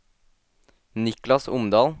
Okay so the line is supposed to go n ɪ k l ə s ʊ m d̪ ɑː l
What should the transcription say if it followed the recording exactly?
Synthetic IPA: n ɪ k l ɑ s ʊ m d̪ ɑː l